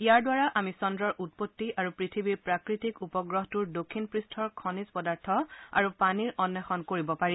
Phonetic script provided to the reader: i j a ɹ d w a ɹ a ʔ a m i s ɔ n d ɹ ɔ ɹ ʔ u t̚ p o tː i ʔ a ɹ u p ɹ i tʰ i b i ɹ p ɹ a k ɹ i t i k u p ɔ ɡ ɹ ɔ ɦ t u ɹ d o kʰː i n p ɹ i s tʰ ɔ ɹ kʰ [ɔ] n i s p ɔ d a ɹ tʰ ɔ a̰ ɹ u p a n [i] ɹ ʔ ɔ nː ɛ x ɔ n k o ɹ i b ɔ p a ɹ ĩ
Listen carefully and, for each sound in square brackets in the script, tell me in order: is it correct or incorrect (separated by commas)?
correct, correct